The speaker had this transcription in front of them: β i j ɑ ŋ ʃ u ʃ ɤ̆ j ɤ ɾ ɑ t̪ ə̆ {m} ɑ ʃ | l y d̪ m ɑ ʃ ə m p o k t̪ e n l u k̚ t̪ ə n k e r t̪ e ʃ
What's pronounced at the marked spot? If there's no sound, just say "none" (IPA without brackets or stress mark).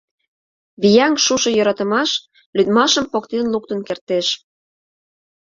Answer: m